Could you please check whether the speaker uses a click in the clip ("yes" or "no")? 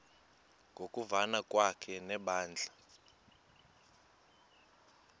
no